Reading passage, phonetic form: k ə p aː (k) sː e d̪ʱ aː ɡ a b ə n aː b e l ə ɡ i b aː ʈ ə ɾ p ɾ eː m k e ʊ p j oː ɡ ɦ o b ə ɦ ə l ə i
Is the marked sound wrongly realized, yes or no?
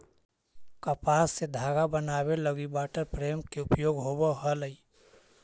yes